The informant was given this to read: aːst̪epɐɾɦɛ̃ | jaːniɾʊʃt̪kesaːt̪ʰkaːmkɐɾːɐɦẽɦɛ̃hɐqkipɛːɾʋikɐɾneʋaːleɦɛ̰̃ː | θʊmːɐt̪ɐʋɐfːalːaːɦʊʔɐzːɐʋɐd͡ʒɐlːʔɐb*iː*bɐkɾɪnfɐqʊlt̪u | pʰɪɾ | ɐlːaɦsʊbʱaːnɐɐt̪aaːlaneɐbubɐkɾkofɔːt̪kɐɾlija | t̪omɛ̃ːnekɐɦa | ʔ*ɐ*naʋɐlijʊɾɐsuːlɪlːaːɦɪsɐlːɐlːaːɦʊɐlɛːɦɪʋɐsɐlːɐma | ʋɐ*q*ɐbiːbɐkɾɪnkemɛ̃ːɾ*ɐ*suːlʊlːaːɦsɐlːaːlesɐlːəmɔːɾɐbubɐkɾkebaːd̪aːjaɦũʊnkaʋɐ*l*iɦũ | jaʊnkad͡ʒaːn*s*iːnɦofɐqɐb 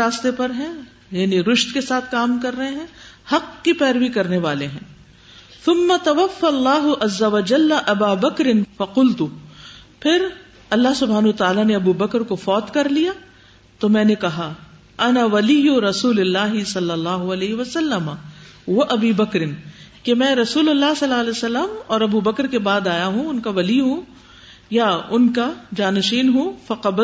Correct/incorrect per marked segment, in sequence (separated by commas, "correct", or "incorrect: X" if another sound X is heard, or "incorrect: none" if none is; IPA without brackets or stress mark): incorrect: aː, correct, incorrect: ʔ, correct, correct, incorrect: ʃ